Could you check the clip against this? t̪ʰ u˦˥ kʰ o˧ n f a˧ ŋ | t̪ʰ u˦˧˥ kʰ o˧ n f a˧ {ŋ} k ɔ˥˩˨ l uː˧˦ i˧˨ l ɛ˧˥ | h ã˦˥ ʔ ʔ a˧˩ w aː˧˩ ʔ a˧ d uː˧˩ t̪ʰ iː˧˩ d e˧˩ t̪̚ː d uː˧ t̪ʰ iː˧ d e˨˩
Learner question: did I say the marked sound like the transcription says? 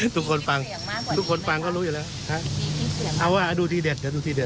yes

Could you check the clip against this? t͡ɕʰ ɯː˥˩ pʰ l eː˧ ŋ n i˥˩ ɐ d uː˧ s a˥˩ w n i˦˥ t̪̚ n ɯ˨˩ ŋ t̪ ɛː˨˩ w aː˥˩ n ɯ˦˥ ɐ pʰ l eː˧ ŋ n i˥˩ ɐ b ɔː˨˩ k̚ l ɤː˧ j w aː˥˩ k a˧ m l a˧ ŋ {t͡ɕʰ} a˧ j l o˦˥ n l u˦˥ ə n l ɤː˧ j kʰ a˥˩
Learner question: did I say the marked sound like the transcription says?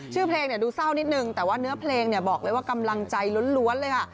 no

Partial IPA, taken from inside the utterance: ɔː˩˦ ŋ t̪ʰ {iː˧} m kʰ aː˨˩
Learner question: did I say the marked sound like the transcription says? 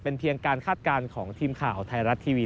yes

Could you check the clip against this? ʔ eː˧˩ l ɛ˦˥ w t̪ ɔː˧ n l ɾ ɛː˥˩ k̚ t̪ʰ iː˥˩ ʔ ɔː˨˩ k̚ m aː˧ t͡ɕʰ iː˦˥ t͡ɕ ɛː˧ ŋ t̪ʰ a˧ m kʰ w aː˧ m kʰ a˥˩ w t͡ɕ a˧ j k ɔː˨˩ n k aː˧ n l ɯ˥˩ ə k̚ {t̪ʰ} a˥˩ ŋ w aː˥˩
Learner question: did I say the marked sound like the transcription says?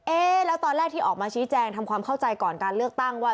no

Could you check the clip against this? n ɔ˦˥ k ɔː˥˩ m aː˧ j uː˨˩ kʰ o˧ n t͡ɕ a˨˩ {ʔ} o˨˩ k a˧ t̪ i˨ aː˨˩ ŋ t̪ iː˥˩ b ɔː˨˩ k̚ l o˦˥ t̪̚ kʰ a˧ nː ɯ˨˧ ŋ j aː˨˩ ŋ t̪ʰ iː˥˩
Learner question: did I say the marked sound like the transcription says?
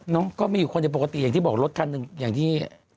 no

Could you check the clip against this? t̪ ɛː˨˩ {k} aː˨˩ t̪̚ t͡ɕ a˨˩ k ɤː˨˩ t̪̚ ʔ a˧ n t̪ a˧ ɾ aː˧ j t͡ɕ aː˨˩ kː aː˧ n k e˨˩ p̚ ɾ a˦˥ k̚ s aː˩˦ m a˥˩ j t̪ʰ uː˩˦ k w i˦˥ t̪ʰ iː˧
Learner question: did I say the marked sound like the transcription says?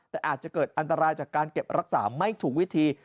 no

